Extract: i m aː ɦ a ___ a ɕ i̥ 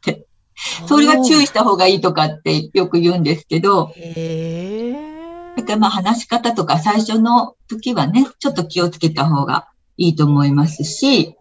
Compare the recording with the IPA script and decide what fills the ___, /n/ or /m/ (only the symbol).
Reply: n